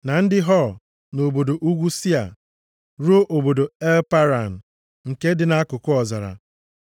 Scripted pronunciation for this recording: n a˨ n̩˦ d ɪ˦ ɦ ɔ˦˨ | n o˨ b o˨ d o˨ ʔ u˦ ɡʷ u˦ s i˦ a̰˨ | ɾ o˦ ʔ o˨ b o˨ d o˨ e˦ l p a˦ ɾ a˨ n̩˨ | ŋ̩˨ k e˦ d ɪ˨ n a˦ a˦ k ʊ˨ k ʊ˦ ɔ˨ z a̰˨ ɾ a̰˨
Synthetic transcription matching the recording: n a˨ n̩˦ d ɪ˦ ɦ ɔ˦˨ | n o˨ b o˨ d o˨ ʔ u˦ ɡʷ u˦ s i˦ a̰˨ | ɾ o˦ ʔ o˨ b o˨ d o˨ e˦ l p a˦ ɾ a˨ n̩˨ | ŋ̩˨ k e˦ d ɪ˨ n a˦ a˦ k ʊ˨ k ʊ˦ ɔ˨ z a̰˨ ɾ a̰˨